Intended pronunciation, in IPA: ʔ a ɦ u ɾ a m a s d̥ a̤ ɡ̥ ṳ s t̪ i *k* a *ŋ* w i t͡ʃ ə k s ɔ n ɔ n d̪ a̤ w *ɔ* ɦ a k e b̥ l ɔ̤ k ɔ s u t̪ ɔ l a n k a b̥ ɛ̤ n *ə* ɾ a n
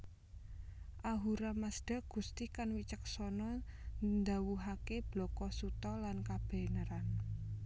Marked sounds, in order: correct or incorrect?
correct, incorrect, incorrect, correct

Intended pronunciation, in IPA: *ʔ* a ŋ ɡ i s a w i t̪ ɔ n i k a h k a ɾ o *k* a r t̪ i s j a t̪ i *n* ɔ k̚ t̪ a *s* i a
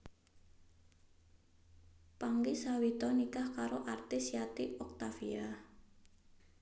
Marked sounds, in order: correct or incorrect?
incorrect, incorrect, incorrect, incorrect

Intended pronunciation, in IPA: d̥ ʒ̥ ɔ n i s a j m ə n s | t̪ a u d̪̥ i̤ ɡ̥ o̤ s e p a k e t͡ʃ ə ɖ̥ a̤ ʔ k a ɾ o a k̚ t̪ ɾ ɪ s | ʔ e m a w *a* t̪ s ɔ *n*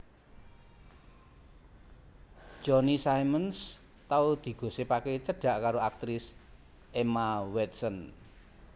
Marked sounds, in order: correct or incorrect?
incorrect, correct

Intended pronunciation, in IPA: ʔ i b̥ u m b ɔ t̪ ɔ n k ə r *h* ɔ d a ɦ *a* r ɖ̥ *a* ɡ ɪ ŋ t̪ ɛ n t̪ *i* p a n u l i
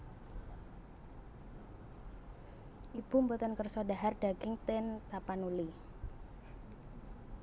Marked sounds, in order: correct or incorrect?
incorrect, correct, correct, incorrect

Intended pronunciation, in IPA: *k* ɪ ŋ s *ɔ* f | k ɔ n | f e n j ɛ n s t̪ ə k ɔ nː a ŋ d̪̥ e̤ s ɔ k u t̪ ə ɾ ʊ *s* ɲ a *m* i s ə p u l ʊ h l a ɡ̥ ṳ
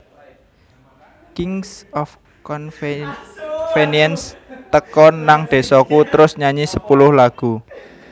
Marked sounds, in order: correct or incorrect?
correct, correct, correct, incorrect

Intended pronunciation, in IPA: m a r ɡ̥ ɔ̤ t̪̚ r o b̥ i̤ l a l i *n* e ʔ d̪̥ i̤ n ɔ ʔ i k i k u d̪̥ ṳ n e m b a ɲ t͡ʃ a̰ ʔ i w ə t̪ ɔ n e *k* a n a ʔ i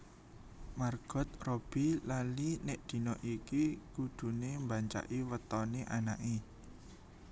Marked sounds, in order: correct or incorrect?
correct, incorrect

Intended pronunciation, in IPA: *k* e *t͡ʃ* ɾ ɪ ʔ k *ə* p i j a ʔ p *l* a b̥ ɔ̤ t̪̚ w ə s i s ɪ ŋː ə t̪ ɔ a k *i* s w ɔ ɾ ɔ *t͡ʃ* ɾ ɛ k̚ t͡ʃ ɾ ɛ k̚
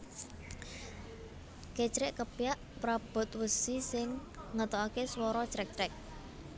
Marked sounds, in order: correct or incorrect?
correct, correct, correct, incorrect, incorrect, correct

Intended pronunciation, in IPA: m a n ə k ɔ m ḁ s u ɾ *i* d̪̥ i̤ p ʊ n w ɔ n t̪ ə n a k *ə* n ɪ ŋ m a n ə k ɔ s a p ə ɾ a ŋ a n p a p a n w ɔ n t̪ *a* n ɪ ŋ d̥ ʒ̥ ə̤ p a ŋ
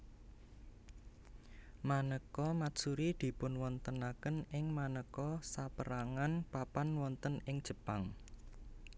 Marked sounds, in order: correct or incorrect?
correct, correct, incorrect

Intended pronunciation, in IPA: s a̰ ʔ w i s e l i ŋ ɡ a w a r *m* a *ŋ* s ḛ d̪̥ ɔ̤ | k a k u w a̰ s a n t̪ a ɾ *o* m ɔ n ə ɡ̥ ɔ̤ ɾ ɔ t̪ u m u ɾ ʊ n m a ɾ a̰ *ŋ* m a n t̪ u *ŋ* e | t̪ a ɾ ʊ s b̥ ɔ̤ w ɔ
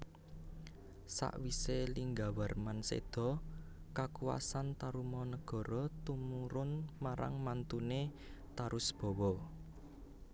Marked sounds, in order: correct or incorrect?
correct, incorrect, incorrect, correct, incorrect

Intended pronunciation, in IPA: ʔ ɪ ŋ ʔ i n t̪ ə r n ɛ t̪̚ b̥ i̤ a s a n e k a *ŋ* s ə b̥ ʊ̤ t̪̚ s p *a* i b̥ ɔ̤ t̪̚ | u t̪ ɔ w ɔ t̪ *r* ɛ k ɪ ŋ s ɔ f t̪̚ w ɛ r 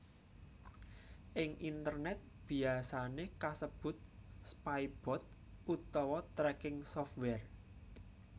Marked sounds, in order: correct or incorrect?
incorrect, correct, incorrect

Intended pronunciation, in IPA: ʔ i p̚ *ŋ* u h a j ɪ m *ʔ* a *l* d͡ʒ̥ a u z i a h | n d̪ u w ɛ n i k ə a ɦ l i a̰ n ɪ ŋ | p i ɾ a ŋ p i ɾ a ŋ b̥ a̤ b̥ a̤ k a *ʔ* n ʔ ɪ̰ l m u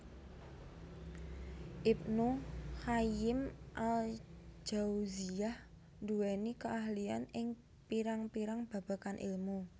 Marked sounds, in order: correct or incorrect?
incorrect, correct, correct, incorrect

